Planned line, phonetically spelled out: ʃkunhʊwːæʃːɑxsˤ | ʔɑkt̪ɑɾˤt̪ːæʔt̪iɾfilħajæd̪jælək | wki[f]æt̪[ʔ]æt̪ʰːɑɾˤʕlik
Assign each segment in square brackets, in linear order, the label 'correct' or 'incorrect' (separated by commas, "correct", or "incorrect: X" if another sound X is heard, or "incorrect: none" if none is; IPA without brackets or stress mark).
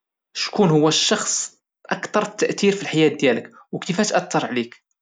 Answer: correct, correct